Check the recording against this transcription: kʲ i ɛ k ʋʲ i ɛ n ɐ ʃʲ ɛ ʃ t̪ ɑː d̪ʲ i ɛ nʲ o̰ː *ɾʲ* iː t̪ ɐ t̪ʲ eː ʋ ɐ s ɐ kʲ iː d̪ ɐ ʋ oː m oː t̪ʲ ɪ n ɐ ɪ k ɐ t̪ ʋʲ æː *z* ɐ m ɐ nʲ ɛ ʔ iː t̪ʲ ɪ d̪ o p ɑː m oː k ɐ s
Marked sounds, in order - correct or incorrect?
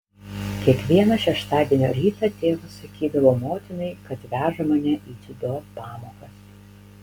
correct, incorrect: ʒ

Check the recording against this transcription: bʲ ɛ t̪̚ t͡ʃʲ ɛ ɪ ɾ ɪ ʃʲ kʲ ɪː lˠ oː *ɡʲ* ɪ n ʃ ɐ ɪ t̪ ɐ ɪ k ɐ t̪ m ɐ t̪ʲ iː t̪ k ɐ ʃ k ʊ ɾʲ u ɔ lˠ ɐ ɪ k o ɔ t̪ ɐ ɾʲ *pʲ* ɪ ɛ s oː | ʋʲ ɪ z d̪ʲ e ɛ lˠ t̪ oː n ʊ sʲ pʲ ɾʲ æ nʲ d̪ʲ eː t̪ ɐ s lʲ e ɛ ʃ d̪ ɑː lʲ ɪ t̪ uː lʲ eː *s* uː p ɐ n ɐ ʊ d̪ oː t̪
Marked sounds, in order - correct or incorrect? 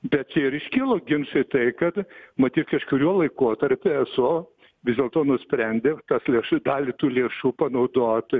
correct, correct, incorrect: ʃ

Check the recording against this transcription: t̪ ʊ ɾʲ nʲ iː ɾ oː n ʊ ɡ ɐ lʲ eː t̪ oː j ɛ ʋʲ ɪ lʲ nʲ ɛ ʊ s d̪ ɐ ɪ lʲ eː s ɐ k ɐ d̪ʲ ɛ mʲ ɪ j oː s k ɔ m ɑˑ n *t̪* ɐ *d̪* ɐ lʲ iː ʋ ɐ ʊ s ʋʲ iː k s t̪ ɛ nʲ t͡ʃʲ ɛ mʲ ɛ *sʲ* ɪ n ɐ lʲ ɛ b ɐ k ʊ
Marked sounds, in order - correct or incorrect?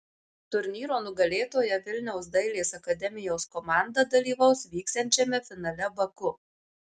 incorrect: d̪, correct, incorrect: fʲ

